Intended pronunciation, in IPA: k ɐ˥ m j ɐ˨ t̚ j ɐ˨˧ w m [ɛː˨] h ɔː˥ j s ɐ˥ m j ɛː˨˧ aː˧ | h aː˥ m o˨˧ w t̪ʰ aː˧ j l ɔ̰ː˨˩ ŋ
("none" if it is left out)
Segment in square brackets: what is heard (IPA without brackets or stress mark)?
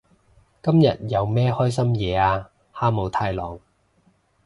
ɛː˥